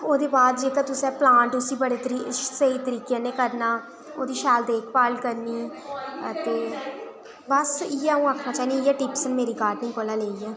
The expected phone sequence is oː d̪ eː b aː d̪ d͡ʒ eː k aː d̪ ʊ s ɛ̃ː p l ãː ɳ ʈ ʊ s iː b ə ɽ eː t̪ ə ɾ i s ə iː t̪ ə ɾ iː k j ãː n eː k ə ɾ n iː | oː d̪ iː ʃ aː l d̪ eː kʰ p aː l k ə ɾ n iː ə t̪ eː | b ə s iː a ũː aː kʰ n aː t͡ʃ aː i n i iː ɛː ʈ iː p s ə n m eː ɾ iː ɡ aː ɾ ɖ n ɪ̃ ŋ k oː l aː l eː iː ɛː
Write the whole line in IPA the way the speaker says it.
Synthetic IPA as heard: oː d̪ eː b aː d̪ d͡ʒ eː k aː t̪ ʊ s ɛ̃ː p l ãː ɳ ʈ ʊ s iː b ə ɽ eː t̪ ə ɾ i s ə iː t̪ ə ɾ iː k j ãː n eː k ə ɾ n aː | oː d̪ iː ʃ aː l d̪ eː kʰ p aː l k ə ɾ n iː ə t̪ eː | b ə s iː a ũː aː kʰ n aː t͡ʃ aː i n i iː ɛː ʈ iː p s ə n m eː ɾ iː ɡ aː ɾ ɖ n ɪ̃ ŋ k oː l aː l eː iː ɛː